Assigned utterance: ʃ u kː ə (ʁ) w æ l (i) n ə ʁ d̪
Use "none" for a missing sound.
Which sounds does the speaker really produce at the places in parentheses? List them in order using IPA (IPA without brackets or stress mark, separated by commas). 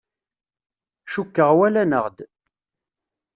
ʁ, æ